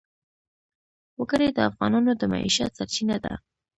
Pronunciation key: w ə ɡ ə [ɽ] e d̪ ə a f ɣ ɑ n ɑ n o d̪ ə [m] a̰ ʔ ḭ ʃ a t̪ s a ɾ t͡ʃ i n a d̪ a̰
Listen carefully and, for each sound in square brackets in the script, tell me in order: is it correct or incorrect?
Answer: incorrect: ɾ, correct

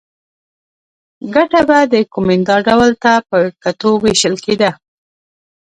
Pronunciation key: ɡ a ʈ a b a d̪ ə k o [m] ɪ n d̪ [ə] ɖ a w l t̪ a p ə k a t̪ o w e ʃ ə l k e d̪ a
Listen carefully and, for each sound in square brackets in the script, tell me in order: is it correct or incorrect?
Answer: correct, incorrect: ɑ

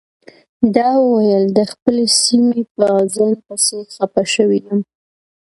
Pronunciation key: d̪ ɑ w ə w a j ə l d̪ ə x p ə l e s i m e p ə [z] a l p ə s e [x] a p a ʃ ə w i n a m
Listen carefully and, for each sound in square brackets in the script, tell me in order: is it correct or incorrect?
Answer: correct, correct

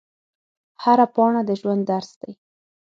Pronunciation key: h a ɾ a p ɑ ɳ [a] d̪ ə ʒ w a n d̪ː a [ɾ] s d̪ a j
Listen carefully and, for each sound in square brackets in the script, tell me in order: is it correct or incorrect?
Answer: correct, correct

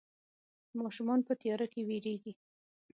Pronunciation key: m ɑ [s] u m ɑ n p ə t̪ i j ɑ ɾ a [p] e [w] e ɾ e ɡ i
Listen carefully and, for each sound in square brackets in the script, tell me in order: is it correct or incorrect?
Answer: incorrect: ʃ, incorrect: k, correct

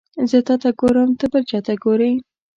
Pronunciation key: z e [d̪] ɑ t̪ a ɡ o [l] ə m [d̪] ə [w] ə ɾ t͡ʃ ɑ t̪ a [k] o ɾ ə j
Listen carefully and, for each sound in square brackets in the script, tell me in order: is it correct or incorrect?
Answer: incorrect: t̪, incorrect: ɾ, incorrect: t̪, incorrect: b, incorrect: ɡ

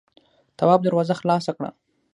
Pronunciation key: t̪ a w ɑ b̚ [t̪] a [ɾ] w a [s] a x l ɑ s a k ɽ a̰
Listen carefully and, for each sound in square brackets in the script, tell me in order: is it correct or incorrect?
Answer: incorrect: d̪, correct, incorrect: z

